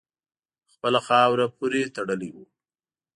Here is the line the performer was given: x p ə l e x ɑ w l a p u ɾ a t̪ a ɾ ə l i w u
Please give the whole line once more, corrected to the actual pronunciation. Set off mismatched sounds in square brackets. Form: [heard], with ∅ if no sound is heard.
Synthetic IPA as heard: x p ə l [a] x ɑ w [ɾ] a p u ɾ [e] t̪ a [ɽ] ə l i w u